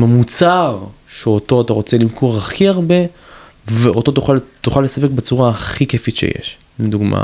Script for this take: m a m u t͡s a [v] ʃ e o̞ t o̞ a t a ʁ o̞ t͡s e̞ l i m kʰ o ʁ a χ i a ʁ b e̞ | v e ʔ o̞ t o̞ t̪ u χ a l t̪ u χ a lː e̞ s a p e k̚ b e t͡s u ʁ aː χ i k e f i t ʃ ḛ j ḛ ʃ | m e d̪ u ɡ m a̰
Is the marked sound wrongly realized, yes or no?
yes